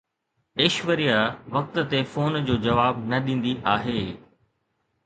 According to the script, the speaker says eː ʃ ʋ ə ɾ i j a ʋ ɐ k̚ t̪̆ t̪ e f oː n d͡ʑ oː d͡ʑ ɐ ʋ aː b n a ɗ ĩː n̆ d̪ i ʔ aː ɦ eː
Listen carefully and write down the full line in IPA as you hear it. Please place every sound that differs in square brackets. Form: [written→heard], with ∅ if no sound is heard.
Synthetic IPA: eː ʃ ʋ ə ɾ i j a ʋ ɐ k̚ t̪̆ t̪ e f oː n d͡ʑ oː d͡ʑ ɐ ʋ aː b n [a→ɐ] ɗ ĩː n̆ d̪ i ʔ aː ɦ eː